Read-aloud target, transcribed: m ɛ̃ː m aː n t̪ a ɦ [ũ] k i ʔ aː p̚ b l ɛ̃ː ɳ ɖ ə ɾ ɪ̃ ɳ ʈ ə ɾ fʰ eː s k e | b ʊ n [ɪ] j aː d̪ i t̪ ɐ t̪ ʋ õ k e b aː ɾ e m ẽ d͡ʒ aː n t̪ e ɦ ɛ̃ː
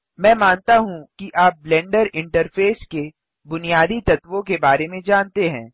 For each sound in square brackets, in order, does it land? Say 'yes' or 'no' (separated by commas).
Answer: yes, no